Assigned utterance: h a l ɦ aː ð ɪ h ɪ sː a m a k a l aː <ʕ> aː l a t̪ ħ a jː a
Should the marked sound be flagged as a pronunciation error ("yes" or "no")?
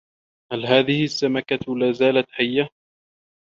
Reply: yes